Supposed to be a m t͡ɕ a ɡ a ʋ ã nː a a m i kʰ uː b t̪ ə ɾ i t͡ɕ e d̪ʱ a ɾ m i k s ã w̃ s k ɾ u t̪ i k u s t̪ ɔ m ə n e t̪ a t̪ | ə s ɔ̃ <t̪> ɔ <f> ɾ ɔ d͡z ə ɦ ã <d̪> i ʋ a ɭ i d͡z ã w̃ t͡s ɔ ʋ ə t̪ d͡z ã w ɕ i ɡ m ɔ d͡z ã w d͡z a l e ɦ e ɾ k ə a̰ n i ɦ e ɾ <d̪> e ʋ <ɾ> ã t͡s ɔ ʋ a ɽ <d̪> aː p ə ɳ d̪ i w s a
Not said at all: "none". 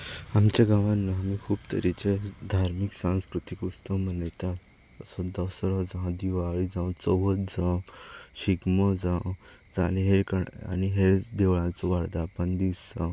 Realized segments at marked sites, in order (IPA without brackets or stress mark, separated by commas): d̪, s, d̪, d̪, ɭ, d̪